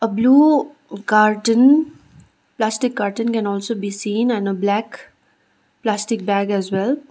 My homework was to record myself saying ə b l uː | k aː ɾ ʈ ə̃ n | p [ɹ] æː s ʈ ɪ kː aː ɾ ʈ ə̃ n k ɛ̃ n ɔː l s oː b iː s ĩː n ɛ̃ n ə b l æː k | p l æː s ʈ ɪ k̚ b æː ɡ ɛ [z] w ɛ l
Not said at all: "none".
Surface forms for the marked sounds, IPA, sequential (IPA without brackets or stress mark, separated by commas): l, z